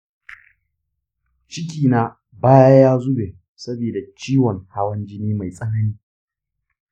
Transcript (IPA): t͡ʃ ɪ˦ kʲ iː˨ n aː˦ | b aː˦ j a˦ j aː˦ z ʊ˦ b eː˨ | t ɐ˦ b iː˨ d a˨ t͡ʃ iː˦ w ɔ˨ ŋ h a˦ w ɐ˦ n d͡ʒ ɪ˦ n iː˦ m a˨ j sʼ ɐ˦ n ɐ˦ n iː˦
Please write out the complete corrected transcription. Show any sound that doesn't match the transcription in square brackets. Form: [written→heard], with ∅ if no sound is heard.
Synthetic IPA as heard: t͡ʃ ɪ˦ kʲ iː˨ n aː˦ | b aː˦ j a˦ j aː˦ z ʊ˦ b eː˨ | [t→s] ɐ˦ b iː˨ d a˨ t͡ʃ iː˦ w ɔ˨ ŋ h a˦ w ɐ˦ n d͡ʒ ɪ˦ n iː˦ m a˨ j sʼ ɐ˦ n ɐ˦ n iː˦